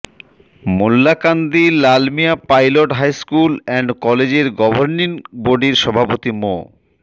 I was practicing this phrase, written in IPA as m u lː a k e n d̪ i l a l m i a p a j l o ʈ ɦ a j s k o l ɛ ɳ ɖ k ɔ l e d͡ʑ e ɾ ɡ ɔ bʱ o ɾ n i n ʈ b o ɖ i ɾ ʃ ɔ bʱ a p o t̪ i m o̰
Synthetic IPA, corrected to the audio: m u lː a k a n d̪ i l a l m i a p a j l o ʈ ɦ a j s k u l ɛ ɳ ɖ k ɔ l e d͡ʑ e ɾ ɡ ɔ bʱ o ɾ n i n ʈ b o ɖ i ɾ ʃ ɔ bʱ a p o t̪ i m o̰

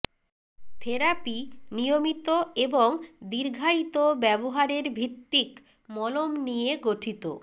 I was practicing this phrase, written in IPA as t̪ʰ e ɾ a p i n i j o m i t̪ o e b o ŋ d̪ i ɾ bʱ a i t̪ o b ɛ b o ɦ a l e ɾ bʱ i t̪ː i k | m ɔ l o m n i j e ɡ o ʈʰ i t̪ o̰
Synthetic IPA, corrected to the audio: t̪ʰ e ɾ a p i n i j o m i t̪ o e b o ŋ d̪ i ɾ ɡʱ a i t̪ o b ɛ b o ɦ a ɾ e ɾ bʱ i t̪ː i k | m ɔ l o m n i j e ɡ o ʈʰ i t̪ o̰

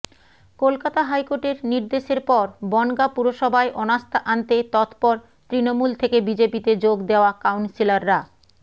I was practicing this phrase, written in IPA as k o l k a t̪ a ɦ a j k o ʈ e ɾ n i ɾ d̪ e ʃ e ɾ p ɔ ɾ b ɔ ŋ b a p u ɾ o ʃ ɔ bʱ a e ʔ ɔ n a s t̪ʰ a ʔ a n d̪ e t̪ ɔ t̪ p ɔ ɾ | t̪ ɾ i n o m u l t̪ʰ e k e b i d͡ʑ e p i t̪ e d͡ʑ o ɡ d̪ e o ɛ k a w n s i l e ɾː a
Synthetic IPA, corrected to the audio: k o l k a t̪ a ɦ a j k o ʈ e ɾ n i ɾ d̪ e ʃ e ɾ p ɔ ɾ b ɔ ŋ ɡ a p u ɾ o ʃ ɔ bʱ a e ʔ ɔ n a s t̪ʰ a ʔ a n t̪ e t̪ ɔ t̪ p ɔ ɾ | t̪ ɾ i n o m u l t̪ʰ e k e b i d͡ʑ e p i t̪ e d͡ʑ o ɡ d̪ e o a k a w n s i l a ɾː a

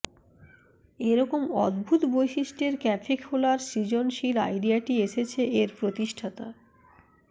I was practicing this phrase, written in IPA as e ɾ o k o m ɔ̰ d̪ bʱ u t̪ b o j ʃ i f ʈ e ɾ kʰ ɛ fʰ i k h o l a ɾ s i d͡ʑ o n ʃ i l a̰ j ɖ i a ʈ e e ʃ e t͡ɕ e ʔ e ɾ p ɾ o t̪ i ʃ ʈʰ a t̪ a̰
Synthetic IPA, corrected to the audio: e ɾ ɔ k o m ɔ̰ d̪ bʱ u t̪ b o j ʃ i ʃ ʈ e ɾ k ɛ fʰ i k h o l a ɾ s i d͡ʑ o n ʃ i l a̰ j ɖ i a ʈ i e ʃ e t͡ɕʰ e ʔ e ɾ p ɾ o t̪ i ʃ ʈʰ a t̪ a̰

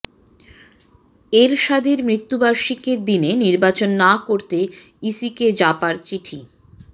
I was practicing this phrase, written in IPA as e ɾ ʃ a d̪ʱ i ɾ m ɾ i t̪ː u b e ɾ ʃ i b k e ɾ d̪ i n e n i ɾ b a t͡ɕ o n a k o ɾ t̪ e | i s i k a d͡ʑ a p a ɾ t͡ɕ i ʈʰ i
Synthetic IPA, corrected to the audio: e ɾ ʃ a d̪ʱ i ɾ m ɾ i t̪ː u b a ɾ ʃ i k e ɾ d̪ i n e n i ɾ b a t͡ɕ o nː a k o ɾ t̪ e | i s i k e d͡ʑ a p a ɾ t͡ɕ i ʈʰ i

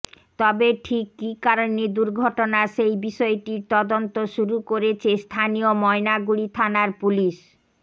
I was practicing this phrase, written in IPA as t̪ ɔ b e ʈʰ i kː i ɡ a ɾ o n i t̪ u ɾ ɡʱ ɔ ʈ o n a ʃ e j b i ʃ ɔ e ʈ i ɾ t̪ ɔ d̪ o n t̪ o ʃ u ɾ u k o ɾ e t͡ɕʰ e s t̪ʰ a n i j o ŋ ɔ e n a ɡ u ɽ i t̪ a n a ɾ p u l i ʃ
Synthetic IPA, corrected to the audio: t̪ ɔ b e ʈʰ i kː i k a ɾ o n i d̪ u ɾ ɡʱ ɔ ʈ o n a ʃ e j b i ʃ ɔ e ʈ i ɾ t̪ ɔ d̪ o n t̪ o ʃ u ɾ u k o ɾ e t͡ɕʰ e s t̪ʰ a n i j o m ɔ e n a ɡ u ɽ i t̪ʰ a n a ɾ p u l i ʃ

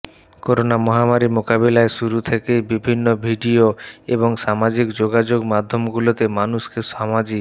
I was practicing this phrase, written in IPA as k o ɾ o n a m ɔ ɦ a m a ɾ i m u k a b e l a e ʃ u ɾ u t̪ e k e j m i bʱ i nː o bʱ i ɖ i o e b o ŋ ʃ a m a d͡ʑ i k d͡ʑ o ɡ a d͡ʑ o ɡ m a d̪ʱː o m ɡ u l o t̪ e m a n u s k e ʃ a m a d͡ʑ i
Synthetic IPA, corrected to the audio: k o ɾ o n a m ɔ ɦ a m a ɾ i m o k a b e l a e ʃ u ɾ u t̪ʰ e k e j b i bʱ i nː o bʱ i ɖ i o e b o ŋ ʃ a m a d͡ʑ i k d͡ʑ o ɡ a d͡ʑ o ɡ m a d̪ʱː o m ɡ u l o t̪ e m a n u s k e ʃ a m a d͡ʑ i

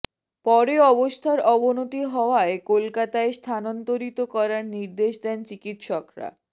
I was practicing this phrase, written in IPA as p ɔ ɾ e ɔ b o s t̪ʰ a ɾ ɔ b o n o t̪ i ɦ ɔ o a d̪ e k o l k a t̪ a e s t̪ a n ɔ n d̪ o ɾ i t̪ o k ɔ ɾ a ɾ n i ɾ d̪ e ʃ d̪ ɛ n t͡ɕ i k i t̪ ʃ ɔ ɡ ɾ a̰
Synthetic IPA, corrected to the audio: p ɔ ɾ e ɔ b o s t̪ʰ a ɾ ɔ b o n o t̪ i ɦ ɔ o a e k o l k a t̪ a e s t̪ʰ a n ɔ n t̪ o ɾ i t̪ o k ɔ ɾ a ɾ n i ɾ d̪ e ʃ d̪ ɛ n t͡ɕ i k i t̪ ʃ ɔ k ɾ a̰

